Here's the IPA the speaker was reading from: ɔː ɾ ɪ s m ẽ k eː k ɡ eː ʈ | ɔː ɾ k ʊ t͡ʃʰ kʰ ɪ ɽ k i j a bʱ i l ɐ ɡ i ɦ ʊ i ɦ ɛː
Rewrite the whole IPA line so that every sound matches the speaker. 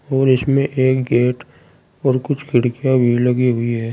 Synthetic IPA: ɔː ɾ ɪ s m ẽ ʔ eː k ɡ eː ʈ | ɔː ɾ k ʊ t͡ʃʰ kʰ ɪ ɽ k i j a bʱ i l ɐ ɡ i ɦ ʊ i ɦ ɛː